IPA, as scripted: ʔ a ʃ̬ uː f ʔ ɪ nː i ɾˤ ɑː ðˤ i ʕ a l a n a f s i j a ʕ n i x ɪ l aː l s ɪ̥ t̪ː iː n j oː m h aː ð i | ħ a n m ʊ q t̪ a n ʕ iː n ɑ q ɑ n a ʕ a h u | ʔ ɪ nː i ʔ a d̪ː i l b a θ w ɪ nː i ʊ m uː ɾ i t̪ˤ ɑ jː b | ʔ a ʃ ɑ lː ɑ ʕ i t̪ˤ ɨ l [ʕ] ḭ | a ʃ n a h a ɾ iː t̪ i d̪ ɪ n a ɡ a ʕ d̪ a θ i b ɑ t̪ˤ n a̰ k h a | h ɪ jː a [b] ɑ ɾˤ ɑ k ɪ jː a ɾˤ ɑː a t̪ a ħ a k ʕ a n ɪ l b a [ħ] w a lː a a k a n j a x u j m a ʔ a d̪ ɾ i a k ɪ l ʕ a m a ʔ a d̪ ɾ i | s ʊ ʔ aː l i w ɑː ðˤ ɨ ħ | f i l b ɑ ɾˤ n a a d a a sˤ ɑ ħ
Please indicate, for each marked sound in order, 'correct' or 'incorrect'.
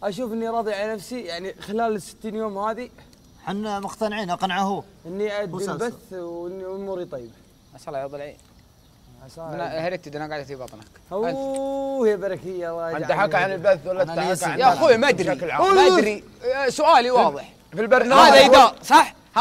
correct, correct, incorrect: θ

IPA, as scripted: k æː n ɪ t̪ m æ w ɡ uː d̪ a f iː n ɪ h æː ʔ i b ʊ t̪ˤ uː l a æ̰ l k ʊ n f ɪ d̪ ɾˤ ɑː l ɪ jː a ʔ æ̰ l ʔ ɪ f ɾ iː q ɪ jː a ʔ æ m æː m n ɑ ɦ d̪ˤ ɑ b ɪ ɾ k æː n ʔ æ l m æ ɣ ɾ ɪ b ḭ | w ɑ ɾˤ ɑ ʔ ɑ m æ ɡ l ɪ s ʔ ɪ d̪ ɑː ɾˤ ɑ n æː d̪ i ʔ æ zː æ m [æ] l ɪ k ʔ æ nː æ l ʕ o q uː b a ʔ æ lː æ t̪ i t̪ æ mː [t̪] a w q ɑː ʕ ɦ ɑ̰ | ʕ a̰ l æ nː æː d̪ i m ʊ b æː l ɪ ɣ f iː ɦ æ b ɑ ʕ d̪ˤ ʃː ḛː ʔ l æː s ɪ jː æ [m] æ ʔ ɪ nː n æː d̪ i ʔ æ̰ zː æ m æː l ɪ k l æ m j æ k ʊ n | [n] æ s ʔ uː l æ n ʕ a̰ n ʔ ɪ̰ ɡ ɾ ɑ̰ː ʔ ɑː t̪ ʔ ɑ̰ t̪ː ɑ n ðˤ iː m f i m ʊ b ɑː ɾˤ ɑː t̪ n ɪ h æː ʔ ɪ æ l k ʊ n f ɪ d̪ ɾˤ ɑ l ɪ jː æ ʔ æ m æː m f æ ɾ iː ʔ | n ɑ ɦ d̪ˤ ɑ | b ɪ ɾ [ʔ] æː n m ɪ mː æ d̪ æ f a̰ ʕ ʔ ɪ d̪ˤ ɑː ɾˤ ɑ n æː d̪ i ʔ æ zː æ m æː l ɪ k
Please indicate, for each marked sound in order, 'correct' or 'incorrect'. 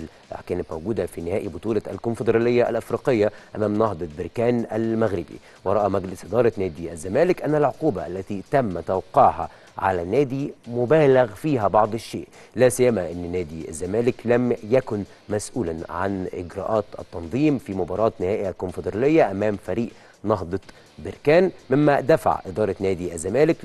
incorrect: æː, correct, correct, incorrect: m, incorrect: k

